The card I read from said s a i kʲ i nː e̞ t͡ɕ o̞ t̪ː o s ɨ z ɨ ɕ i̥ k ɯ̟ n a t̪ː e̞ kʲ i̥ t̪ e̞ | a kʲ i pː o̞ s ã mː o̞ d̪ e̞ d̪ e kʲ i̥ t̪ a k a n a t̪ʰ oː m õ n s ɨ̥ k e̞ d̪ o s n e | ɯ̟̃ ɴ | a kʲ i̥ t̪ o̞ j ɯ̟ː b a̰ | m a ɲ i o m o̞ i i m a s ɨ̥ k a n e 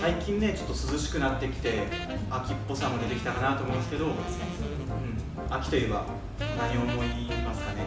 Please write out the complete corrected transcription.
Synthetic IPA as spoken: s a i kʲ ĩ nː e̞ t͡ɕ o̞ t̪ː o s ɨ z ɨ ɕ i̥ k ɯ̟ n a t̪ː e̞ kʲ i̥ t̪ e̞ | a kʲ i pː o̞ s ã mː o̞ d̪ e̞ t̪ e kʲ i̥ t̪ a k a n a t̪ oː m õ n s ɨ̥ k e̞ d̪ o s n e | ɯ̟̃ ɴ | a kʲ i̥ t̪ o̞ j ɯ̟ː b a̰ | n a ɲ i o m o̞ i i m a s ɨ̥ k a n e